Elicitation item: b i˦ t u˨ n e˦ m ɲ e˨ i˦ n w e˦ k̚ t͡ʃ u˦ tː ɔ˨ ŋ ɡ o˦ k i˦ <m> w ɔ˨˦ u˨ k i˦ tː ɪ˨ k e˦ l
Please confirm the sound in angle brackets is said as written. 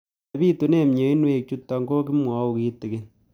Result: yes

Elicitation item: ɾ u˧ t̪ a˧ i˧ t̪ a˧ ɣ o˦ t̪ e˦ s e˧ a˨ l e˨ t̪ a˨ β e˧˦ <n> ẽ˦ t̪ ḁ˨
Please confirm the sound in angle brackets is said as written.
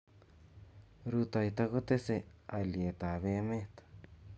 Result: no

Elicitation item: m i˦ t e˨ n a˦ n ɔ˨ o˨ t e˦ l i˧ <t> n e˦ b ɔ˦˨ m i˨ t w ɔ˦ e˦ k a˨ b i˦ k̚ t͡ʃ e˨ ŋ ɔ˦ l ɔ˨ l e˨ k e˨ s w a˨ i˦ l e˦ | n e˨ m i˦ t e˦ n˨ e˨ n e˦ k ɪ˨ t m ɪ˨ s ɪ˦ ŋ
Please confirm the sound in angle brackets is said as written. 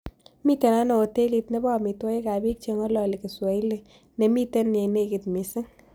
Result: yes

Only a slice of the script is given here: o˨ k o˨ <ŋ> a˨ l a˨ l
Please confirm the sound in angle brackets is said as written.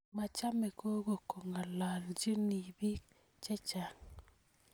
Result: yes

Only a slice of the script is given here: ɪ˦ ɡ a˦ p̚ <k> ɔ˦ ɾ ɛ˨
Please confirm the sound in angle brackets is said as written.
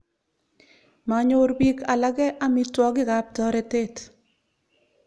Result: no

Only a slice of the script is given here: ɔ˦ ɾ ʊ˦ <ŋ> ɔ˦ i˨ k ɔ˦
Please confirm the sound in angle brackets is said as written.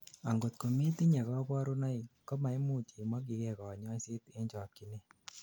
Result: no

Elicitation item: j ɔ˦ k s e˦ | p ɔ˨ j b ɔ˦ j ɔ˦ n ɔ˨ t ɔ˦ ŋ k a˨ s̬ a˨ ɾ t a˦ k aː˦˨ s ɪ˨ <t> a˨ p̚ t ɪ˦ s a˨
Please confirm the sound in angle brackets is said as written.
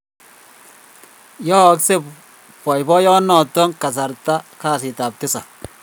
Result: yes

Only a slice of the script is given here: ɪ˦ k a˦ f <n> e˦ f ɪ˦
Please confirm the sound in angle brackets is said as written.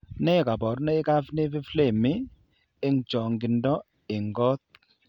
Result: yes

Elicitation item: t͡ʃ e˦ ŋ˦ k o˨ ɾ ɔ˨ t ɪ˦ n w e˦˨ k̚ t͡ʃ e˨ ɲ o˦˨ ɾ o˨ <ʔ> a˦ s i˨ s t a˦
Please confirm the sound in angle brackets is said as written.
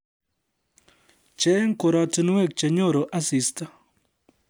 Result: yes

